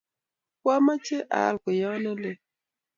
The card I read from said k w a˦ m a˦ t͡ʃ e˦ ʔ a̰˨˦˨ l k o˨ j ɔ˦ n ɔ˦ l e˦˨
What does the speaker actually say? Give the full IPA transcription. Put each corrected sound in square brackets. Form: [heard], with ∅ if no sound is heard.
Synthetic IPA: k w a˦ m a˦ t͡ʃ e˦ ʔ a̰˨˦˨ l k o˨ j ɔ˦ n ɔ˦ l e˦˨

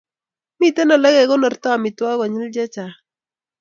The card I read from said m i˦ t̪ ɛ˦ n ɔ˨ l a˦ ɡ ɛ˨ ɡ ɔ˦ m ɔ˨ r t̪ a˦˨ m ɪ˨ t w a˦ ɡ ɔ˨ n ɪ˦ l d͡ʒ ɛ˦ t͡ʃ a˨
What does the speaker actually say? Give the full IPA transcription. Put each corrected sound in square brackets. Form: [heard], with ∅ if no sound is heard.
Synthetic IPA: m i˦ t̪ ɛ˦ n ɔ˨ l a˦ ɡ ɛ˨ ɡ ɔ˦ [n] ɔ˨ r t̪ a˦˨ m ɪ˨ t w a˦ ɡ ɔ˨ [ɲ] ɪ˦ l d͡ʒ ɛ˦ t͡ʃ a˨

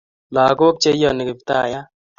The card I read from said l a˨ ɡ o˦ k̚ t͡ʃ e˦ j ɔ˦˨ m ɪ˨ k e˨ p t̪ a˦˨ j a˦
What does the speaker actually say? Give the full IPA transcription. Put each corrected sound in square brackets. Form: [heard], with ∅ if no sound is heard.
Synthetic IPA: l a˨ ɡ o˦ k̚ t͡ʃ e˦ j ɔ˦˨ [n] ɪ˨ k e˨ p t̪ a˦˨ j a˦

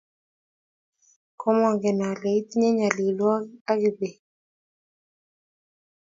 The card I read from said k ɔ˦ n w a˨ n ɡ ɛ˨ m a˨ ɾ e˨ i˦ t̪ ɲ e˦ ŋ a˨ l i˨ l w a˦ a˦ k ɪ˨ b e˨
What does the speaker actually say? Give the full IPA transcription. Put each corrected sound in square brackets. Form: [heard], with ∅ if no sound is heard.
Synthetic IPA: k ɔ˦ [m] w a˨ [ŋ] ɡ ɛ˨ [n] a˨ [l] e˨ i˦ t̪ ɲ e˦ [ɲ] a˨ l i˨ l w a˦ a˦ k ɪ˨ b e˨

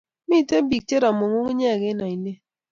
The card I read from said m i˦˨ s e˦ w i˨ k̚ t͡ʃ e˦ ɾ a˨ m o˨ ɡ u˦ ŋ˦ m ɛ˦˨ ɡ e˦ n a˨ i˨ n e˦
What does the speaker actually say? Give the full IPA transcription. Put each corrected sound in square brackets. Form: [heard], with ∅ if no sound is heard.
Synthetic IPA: m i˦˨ [t] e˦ [b] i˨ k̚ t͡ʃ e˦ ɾ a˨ m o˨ [ŋ] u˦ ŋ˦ [ɲ] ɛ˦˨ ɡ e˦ n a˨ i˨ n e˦

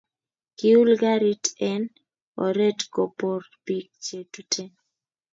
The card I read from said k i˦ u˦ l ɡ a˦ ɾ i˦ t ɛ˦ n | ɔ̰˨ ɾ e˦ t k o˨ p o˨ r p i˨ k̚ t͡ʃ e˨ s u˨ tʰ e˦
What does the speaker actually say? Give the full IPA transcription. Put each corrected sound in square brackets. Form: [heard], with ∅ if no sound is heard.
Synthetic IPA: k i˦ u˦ l ɡ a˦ ɾ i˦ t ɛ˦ n | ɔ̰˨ ɾ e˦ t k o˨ p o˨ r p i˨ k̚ t͡ʃ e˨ [t] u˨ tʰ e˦

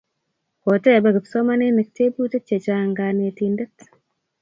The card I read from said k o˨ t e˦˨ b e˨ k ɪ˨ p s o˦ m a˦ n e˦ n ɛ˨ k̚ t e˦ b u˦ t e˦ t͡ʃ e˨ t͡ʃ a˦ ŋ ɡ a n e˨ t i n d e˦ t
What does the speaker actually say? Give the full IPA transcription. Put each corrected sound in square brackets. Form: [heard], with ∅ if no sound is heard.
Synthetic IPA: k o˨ t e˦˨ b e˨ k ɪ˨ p s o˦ m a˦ n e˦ n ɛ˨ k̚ t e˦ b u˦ t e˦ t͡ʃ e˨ t͡ʃ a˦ ŋ ɡ a n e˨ t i n d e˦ t

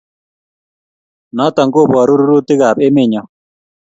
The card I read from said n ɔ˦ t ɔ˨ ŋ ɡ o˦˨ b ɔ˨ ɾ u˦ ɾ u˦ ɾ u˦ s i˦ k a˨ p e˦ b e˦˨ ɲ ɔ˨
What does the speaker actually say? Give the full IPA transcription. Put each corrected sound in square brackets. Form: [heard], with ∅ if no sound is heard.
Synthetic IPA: n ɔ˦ t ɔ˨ ŋ ɡ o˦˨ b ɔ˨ ɾ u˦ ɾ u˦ ɾ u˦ [t] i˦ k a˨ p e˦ [m] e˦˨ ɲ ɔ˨

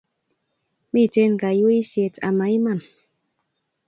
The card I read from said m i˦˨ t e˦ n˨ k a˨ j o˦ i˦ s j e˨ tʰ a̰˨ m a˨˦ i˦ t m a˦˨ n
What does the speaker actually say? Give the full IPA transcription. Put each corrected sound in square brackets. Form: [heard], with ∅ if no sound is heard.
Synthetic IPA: m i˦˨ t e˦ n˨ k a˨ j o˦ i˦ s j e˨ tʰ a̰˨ m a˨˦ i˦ [∅] m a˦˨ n

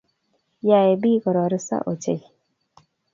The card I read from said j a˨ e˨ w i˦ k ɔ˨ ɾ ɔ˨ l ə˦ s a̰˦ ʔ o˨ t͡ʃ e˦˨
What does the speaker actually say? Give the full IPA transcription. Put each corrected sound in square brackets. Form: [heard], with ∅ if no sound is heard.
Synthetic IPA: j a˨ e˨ [b] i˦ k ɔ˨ ɾ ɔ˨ [ɾ] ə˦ s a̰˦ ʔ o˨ t͡ʃ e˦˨

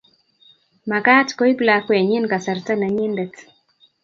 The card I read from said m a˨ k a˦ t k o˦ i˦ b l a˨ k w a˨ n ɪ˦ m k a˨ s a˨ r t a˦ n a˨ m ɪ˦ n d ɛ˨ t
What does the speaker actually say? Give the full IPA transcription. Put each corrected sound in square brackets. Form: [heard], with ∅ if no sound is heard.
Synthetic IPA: m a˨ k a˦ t k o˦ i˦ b l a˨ k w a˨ [ɲ] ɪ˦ [n] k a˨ s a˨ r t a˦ n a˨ [ɲ] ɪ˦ n d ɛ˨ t

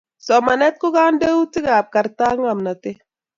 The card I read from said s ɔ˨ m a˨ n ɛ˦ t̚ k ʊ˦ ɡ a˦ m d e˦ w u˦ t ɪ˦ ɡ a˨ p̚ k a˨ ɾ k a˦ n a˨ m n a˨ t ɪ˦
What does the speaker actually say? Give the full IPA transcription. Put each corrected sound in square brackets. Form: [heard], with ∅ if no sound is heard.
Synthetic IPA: s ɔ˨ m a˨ n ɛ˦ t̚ k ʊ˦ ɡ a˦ [n] d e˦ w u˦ t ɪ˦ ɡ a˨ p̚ k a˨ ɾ [t] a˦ [ŋ] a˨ m n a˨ t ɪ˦

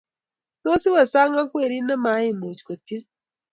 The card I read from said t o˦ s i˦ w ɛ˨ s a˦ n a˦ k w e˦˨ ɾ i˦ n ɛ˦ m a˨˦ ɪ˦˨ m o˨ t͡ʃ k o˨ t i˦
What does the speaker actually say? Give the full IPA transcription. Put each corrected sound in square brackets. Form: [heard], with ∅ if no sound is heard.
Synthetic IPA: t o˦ s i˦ w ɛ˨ s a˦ [ŋ] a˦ k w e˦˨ ɾ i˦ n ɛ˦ m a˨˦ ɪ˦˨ m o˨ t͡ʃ k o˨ t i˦

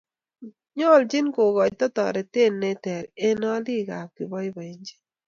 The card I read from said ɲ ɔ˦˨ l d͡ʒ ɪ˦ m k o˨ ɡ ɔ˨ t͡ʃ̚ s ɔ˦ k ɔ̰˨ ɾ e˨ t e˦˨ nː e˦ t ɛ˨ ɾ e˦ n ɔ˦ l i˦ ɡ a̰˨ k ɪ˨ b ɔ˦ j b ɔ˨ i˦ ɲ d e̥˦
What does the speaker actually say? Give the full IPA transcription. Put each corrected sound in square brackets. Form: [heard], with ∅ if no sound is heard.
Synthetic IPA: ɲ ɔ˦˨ l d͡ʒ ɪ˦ [n] k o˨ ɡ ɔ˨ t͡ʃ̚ [t] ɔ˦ [t] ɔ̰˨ ɾ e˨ t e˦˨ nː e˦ t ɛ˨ ɾ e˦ n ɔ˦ l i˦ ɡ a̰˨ k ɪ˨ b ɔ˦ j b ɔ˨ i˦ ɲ [d͡ʒ] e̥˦

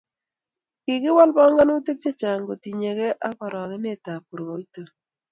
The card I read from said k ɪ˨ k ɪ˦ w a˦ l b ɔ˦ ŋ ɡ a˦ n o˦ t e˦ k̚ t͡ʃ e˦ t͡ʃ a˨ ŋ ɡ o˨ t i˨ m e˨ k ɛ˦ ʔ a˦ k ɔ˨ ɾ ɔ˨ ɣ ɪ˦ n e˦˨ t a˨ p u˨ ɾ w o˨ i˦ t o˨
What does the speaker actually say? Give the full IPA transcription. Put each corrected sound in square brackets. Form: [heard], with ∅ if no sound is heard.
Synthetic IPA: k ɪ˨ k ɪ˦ w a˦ l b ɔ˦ ŋ ɡ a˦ n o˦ t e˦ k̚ t͡ʃ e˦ t͡ʃ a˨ ŋ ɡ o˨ t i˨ [ɲ] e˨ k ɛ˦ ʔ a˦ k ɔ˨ ɾ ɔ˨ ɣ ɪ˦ n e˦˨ t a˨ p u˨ ɾ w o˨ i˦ t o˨

